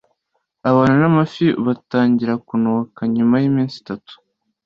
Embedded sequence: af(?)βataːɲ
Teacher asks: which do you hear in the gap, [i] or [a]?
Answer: i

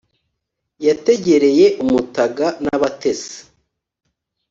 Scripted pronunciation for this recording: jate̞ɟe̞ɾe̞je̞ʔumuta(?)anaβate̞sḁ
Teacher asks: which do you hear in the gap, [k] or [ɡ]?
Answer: ɡ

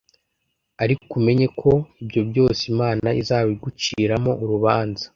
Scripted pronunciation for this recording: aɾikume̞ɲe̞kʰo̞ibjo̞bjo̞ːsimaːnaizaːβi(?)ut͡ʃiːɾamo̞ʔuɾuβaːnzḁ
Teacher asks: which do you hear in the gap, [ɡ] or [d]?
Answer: ɡ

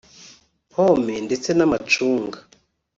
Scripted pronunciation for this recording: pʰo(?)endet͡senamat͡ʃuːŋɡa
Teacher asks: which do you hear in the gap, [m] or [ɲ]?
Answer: m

